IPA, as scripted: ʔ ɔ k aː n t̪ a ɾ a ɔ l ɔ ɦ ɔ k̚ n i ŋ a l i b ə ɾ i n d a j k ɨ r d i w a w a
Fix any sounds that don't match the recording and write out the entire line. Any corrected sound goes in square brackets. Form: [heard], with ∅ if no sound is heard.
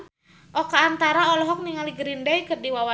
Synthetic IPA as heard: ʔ ɔ k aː n t̪ a ɾ a ɔ l ɔ ɦ ɔ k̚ n i ŋ a l i [ɡ] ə ɾ i n d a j k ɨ r d i w a w a